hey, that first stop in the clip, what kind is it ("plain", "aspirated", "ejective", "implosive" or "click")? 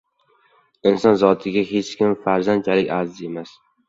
aspirated